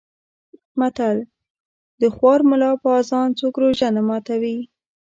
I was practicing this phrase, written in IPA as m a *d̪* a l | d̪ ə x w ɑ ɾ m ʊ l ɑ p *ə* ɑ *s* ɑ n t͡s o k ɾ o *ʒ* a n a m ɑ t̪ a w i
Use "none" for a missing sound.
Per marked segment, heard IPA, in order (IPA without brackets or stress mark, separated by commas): t̪, ə, z, ʒ